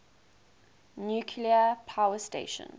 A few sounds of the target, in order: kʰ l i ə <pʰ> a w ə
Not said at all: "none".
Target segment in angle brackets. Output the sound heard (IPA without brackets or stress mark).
pʰ